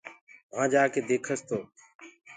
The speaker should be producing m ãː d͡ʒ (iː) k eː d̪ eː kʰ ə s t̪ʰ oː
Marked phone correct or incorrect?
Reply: incorrect